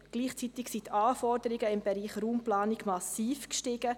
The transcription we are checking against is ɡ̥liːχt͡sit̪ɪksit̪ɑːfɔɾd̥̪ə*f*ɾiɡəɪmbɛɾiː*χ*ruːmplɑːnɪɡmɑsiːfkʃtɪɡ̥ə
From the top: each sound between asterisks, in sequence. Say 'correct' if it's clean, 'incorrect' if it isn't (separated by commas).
incorrect, correct